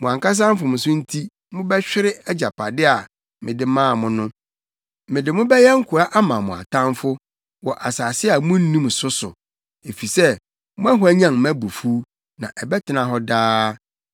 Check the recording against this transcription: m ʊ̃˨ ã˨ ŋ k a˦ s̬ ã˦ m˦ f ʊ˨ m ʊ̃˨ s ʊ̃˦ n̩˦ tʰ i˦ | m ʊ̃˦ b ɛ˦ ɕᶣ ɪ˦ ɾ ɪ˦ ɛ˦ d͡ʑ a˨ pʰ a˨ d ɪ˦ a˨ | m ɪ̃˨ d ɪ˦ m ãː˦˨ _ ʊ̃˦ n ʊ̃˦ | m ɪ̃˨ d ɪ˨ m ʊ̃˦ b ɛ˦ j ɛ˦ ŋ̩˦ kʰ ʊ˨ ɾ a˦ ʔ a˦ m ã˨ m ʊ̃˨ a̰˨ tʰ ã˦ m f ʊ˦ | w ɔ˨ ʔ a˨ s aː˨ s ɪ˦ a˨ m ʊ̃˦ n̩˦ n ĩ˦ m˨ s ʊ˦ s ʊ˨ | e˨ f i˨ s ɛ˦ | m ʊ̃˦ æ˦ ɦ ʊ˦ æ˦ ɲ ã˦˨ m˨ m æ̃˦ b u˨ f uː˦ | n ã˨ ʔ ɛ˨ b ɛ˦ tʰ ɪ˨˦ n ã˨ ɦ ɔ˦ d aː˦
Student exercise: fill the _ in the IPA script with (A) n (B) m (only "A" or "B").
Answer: B